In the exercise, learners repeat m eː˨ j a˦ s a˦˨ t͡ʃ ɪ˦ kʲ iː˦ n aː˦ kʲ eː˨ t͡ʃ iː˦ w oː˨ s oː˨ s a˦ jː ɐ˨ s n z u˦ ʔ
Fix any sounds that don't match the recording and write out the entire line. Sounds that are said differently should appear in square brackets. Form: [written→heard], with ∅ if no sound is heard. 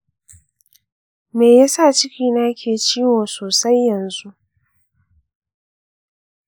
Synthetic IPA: m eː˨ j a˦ s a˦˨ t͡ʃ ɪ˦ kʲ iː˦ n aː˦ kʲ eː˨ t͡ʃ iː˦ w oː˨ s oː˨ s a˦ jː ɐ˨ [s→∅] n z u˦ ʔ